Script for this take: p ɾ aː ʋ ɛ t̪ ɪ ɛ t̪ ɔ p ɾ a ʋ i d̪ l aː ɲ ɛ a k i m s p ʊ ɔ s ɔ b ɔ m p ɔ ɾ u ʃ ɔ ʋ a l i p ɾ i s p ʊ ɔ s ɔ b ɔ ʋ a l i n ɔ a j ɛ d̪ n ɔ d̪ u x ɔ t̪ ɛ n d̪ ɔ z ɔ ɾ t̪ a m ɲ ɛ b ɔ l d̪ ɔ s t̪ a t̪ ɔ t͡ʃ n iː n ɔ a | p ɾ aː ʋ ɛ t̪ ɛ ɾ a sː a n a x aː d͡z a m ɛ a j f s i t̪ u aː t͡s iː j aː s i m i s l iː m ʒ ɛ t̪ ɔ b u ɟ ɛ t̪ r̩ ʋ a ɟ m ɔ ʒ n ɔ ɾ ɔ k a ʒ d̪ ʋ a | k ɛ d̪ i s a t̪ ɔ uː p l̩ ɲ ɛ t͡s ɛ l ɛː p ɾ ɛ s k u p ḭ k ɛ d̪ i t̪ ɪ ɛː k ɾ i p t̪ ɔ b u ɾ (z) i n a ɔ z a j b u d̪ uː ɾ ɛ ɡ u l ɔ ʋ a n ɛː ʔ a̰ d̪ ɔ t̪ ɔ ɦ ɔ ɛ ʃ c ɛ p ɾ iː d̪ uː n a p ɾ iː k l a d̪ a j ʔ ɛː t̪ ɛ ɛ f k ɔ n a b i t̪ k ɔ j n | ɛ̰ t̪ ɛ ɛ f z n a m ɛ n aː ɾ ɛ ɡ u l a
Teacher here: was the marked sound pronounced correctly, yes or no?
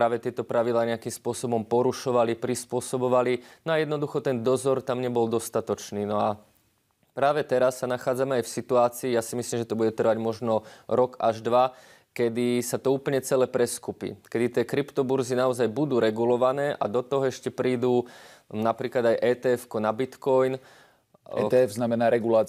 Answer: yes